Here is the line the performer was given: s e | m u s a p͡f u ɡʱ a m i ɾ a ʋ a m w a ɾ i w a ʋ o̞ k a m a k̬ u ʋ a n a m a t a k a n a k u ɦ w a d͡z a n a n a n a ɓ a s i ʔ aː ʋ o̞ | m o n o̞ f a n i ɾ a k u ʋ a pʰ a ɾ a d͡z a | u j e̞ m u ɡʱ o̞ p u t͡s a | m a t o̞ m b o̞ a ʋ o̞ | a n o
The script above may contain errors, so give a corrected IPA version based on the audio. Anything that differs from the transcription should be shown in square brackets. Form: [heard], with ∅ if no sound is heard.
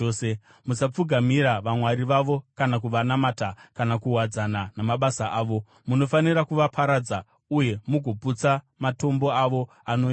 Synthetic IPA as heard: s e | m u s a p͡f u ɡʱ a m i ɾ a ʋ a m w a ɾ i [ʋ] a ʋ o̞ k a [n] a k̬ u ʋ a n a m a t a k a n a k u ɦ w a d͡z a n a n a [m] a ɓ a s [a] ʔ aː ʋ o̞ | m [u] n o̞ f a n i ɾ a k u ʋ a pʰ a ɾ a d͡z a | u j e̞ m u ɡʱ o̞ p u t͡s a | m a t o̞ m b o̞ a ʋ o̞ | a n o